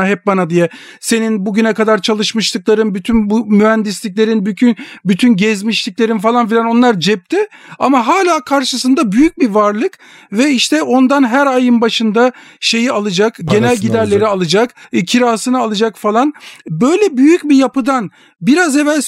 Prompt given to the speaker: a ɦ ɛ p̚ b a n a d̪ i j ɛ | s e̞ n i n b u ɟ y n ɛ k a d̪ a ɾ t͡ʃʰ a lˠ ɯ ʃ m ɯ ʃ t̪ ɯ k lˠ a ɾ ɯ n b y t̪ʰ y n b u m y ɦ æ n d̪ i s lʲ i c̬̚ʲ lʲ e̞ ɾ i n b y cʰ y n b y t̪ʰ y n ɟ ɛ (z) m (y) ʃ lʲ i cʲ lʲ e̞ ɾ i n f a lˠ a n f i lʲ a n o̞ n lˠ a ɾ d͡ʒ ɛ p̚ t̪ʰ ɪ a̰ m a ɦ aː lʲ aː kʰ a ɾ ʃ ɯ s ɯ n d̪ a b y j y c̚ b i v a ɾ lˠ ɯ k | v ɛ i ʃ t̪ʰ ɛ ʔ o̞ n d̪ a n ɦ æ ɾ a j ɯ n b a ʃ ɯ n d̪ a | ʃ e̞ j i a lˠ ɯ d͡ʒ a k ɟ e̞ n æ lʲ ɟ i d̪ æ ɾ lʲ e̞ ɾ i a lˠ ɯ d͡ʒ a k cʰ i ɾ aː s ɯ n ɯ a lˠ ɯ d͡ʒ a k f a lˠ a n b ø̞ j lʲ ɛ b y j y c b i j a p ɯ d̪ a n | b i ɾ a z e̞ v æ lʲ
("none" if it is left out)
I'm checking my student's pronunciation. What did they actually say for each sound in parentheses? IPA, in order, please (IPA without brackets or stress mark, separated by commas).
z, i